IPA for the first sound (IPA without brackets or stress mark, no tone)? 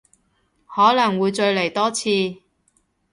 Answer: h